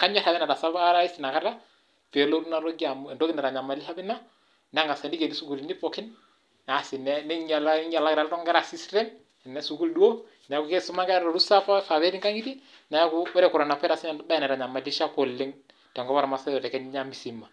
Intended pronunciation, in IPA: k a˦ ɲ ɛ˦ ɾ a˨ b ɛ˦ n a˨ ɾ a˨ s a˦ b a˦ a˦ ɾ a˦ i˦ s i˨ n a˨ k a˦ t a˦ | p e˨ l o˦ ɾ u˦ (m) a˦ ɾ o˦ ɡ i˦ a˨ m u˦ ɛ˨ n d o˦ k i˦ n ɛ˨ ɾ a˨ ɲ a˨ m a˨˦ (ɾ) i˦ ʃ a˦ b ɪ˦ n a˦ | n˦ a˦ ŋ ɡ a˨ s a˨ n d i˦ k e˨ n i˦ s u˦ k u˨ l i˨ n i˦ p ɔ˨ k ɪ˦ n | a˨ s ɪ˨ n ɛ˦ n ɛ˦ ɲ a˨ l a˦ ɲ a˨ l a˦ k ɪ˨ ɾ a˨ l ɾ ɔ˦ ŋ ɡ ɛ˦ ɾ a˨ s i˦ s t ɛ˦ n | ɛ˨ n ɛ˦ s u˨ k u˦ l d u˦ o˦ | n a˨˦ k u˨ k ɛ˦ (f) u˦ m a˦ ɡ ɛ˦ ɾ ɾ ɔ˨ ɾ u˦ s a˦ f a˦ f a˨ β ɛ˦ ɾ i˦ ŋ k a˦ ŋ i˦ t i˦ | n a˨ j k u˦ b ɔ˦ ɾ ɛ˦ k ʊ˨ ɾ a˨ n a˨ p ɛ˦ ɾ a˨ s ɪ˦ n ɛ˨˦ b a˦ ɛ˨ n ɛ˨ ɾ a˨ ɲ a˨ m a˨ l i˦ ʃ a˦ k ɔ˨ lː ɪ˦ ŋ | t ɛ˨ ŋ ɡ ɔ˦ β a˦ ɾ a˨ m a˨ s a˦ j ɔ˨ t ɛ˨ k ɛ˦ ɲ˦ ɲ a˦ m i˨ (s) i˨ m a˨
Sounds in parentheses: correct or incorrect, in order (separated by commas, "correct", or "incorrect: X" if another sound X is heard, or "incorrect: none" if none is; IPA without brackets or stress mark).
incorrect: n, incorrect: l, incorrect: s, correct